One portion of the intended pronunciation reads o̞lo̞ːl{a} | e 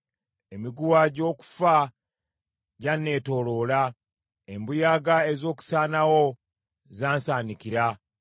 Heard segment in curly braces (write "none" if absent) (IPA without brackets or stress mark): a